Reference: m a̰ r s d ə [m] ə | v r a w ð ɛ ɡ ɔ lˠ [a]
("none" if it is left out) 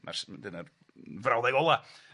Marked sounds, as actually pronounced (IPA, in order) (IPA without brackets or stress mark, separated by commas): n, a